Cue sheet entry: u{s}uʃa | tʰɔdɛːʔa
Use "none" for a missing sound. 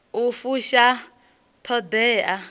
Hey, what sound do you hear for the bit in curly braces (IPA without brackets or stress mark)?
f